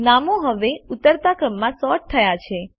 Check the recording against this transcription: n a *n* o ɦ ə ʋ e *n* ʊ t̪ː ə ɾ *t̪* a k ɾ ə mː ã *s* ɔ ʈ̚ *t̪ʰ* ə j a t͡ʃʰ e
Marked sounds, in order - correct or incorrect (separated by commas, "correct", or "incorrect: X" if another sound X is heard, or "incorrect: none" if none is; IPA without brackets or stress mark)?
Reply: incorrect: m, incorrect: none, correct, correct, correct